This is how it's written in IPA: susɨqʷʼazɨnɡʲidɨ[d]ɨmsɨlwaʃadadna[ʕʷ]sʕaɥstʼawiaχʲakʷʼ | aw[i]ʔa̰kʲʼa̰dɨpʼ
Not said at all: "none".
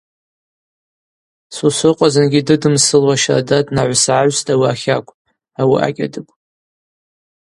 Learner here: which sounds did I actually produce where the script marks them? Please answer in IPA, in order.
d, ʕʷ, i

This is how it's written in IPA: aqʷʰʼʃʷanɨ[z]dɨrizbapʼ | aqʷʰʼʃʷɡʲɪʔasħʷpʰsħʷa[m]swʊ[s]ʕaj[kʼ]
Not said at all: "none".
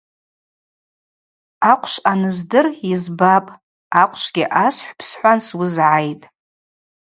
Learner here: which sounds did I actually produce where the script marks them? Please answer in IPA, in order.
z, n, z, tʼ

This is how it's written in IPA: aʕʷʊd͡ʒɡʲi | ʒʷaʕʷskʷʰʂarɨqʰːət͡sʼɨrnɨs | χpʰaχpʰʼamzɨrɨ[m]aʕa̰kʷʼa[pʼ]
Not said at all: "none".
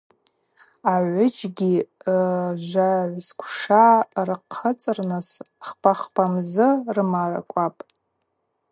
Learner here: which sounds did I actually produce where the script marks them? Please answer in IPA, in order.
m, pʼ

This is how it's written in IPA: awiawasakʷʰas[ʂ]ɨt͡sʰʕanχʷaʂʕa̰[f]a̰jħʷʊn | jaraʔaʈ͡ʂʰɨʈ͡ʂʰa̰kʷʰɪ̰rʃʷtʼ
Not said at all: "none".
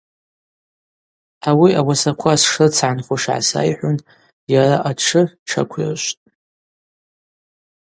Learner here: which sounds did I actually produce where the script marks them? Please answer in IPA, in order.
ʂ, s

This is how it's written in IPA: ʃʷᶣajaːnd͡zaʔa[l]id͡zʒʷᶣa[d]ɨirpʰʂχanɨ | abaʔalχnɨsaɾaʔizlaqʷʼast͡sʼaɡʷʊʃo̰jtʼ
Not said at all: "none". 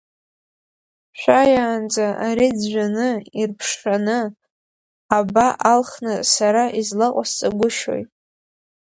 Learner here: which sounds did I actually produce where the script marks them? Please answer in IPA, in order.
ɾ, n

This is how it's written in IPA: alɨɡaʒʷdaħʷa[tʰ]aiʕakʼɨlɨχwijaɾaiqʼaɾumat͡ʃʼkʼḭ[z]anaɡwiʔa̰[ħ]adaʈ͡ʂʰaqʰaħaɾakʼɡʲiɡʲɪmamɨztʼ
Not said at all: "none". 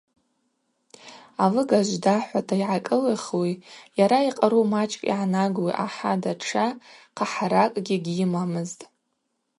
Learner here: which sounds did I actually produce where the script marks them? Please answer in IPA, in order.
tʰ, ʕ, ħ

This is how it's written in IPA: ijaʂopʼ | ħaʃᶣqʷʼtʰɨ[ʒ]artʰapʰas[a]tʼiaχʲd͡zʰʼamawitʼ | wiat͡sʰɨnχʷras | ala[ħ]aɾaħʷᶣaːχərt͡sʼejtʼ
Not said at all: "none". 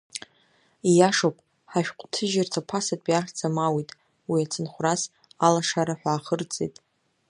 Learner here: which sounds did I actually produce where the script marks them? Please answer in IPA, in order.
ʒ, a, ʂ

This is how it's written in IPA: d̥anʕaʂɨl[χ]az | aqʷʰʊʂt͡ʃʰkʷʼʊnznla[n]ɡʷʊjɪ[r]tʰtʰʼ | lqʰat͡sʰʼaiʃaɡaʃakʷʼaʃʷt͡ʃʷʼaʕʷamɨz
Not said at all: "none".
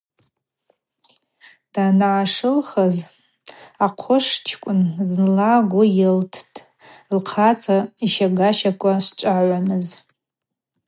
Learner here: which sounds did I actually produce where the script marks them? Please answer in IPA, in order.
χ, none, l

